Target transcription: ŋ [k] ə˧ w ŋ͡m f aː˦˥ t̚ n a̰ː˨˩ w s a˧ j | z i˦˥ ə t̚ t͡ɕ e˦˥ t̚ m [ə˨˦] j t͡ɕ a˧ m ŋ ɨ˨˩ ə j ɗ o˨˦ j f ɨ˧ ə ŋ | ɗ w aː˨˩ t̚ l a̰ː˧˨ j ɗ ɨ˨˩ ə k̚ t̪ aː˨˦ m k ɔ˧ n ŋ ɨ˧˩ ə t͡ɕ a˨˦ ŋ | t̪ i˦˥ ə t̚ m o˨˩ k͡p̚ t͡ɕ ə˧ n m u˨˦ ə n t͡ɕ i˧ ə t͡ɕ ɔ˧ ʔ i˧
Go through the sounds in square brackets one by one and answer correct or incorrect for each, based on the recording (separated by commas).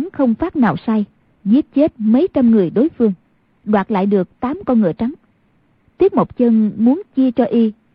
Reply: incorrect, correct